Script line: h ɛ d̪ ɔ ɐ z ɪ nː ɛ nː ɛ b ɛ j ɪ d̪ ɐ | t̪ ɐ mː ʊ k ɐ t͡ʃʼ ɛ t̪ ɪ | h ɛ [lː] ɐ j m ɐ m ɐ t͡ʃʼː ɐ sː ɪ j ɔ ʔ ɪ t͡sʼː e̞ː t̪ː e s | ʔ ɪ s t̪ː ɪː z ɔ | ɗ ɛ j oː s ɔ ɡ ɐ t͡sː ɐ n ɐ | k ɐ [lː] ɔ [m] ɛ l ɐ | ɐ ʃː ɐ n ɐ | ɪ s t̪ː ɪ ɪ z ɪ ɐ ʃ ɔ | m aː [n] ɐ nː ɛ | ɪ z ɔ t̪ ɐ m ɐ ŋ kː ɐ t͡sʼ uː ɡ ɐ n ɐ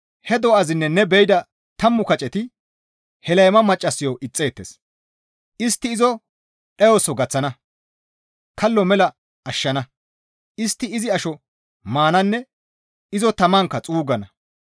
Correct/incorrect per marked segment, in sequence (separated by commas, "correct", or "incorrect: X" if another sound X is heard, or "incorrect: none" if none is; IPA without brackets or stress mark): incorrect: l, correct, correct, correct